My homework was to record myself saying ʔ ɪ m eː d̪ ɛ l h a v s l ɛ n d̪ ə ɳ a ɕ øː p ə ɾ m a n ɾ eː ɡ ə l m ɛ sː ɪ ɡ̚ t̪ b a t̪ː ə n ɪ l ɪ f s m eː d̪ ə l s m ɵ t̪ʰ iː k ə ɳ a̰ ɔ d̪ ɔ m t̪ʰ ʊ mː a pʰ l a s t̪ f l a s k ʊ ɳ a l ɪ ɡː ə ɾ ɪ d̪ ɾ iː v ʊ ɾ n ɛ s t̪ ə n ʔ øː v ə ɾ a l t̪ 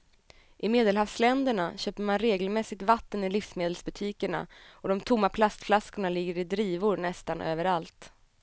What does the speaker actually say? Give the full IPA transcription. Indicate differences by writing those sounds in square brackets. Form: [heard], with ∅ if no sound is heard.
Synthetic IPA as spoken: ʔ ɪ m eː d̪ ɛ l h a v s l ɛ n d̪ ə ɳ a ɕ øː p ə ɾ m a n ɾ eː ɡ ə l m ɛ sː ɪ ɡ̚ t̪ [v] a t̪ː ə n ɪ l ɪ f s m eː d̪ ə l s [b] ɵ t̪ʰ iː k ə ɳ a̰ ɔ d̪ ɔ m t̪ʰ ʊ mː a pʰ l a s t̪ f l a s k ʊ ɳ a l ɪ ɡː ə ɾ ɪ d̪ ɾ iː v ʊ ɾ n ɛ s t̪ [a] n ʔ øː v ə ɾ a l t̪